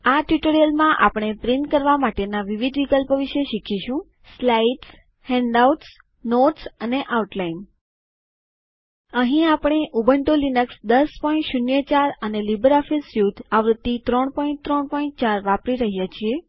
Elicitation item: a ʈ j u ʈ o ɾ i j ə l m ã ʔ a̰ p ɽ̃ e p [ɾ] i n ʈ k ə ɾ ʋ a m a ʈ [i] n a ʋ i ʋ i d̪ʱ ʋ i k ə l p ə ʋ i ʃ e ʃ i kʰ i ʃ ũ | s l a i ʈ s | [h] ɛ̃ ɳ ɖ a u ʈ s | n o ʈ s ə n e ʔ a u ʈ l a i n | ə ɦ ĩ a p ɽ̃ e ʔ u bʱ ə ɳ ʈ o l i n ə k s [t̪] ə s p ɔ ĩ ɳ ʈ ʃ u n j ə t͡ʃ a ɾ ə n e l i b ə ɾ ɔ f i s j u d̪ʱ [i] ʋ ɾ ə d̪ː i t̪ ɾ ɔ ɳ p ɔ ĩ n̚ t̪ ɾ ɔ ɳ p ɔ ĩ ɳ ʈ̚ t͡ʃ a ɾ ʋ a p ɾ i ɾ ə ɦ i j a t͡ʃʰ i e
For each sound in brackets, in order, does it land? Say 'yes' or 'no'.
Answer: yes, no, yes, no, no

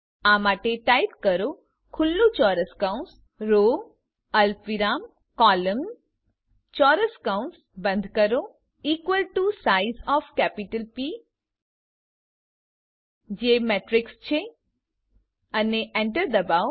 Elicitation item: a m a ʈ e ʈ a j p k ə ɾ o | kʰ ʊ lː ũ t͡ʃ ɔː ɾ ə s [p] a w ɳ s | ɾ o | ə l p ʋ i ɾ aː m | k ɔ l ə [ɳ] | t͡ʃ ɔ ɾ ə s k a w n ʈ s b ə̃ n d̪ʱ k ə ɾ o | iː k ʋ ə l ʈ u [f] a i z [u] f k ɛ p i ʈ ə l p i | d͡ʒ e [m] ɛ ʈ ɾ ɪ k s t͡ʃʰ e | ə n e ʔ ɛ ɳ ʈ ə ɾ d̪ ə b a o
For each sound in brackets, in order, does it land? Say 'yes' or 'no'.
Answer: no, no, no, no, yes

